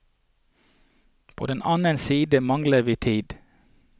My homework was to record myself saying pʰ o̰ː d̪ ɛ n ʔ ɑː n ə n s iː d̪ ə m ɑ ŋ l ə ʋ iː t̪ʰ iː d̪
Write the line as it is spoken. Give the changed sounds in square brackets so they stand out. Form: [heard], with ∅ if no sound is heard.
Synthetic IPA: pʰ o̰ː d̪ ɛ n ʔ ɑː n ə n s iː d̪ ə m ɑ ŋ l ə ʋ iː t̪ʰ iː d̪